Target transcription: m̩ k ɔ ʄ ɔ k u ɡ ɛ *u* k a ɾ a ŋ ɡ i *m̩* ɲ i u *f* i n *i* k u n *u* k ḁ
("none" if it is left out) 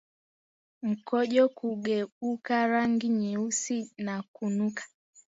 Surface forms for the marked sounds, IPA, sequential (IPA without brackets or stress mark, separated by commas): u, none, s, a, u